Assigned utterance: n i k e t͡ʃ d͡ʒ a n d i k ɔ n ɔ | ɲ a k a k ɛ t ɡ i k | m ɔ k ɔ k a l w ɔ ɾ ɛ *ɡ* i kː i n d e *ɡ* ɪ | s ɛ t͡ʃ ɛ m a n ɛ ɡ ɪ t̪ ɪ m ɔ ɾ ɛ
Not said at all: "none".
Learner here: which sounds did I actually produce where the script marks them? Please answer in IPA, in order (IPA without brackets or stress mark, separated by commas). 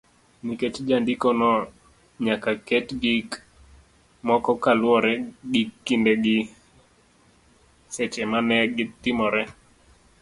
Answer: ɡ, ɡ